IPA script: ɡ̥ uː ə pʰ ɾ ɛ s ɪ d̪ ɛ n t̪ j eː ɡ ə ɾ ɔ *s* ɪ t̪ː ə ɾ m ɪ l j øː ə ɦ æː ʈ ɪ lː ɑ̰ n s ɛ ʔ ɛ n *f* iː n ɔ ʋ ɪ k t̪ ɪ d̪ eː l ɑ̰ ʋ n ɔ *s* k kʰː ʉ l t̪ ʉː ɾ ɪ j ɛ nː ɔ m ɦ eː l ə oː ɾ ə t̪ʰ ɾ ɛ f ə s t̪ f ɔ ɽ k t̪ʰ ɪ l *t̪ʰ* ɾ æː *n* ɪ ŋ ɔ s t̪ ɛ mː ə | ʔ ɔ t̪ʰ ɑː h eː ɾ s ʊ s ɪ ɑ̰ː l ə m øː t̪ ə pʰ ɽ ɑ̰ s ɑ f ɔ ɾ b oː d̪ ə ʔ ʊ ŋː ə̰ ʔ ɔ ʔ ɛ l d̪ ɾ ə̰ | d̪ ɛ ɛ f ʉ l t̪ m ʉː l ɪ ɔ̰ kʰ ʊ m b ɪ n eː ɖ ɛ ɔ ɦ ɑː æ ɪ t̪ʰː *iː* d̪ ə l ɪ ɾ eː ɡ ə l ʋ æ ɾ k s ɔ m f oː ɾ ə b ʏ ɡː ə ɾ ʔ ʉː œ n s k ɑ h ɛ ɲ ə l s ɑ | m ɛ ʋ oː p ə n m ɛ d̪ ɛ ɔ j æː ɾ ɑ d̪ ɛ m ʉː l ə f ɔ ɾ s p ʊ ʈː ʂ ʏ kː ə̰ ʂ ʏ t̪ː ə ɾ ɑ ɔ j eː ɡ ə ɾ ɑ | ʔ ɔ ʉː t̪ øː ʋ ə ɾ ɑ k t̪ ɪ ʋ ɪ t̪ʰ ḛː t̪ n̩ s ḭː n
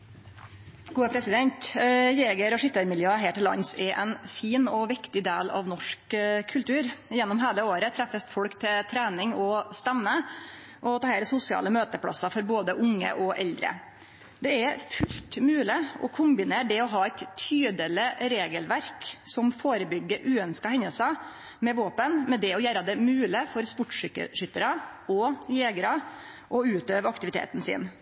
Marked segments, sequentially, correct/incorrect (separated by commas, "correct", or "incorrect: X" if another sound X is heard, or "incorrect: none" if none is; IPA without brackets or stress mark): incorrect: ʂ, correct, incorrect: ʂ, correct, correct, incorrect: yː